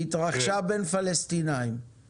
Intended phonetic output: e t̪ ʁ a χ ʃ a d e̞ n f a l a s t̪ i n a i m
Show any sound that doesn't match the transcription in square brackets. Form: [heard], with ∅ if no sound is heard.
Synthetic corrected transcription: [i] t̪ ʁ a χ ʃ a [b] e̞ n f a l [e] s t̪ i n a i m